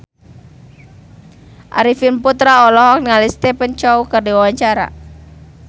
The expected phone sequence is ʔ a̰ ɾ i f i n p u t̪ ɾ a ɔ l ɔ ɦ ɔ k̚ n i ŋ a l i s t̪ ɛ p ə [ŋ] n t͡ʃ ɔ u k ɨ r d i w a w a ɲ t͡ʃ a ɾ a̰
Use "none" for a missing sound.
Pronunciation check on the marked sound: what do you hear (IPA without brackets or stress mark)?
none